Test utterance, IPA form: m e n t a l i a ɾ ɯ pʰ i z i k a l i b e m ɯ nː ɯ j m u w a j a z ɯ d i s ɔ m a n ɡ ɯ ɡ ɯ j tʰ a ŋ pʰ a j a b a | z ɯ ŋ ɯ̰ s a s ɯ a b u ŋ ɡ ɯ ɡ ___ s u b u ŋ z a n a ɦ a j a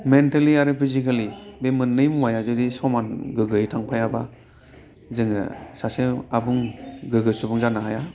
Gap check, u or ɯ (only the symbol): ɯ